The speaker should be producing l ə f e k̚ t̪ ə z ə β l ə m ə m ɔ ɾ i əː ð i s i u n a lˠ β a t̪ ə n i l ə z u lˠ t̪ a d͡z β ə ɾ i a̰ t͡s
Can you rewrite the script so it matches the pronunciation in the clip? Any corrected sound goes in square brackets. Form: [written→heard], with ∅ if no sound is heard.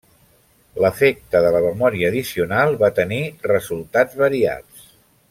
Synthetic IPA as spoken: l ə f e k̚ t̪ ə [z→ð] ə [β→∅] l ə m ə m ɔ ɾ i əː ð i s i u n a lˠ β a t̪ ə n i [l→r] ə z u lˠ t̪ a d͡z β ə ɾ i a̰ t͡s